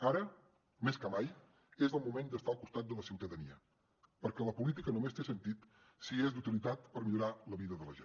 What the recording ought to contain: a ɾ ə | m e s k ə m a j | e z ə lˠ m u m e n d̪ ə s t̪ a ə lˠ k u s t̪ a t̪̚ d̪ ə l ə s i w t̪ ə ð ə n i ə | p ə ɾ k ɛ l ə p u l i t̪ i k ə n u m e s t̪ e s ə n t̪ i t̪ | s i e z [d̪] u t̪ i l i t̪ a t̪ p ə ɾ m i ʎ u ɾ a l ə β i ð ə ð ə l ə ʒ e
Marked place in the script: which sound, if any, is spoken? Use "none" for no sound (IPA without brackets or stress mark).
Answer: d̪